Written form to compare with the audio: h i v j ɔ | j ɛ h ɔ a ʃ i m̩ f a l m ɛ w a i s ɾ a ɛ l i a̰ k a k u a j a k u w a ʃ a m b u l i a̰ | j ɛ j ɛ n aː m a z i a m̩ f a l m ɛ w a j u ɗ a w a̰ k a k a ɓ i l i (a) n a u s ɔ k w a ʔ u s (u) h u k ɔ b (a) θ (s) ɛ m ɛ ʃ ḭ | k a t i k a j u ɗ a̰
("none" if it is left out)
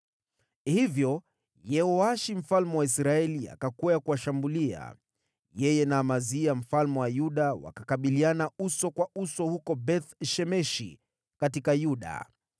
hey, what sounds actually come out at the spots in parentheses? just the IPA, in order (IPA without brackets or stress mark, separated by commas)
a, ɔ, ɛ, ʃ